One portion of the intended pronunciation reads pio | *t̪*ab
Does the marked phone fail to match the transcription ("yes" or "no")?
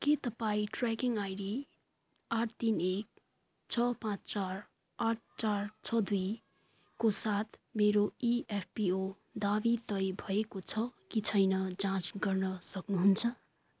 yes